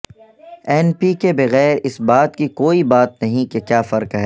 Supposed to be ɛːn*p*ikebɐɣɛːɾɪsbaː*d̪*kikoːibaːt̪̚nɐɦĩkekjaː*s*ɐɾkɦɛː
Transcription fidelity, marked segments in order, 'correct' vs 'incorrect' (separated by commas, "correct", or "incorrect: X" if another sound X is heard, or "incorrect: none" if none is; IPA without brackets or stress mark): correct, incorrect: t̪, incorrect: f